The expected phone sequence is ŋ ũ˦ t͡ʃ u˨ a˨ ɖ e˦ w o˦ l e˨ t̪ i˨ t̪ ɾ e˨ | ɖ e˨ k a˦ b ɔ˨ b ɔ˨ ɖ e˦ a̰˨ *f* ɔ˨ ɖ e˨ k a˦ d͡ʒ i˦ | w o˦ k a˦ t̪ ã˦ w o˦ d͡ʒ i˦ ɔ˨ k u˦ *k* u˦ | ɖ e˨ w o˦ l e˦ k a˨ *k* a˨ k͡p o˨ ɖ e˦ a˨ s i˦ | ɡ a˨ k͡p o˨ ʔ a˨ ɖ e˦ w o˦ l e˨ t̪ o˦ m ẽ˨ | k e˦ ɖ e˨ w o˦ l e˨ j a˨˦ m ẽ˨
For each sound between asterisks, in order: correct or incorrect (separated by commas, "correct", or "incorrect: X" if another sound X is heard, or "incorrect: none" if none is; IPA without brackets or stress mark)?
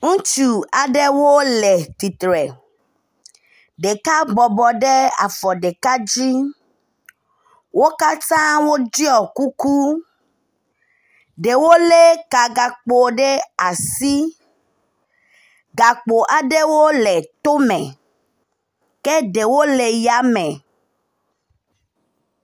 correct, correct, incorrect: ɡ